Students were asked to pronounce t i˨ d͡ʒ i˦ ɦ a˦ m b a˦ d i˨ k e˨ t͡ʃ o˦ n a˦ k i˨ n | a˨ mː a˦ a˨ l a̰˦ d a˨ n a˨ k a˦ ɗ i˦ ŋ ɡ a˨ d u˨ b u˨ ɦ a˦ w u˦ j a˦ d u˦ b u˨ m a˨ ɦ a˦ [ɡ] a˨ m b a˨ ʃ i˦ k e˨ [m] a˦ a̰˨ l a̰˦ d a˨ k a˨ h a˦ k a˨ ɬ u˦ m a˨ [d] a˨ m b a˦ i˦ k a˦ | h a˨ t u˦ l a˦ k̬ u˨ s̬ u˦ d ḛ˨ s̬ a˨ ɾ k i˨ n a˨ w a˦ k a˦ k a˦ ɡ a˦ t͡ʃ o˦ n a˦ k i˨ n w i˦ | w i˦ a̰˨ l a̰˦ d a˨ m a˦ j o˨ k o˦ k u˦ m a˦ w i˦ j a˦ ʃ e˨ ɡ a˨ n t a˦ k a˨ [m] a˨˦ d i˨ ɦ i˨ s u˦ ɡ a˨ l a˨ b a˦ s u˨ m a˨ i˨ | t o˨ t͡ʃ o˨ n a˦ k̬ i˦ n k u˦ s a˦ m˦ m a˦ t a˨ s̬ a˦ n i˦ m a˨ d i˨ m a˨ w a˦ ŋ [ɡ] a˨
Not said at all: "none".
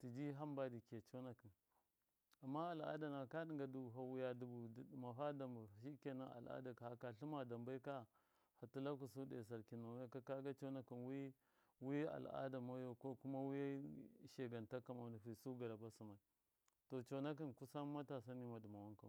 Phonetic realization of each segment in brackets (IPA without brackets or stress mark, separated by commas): d, n, d, m, k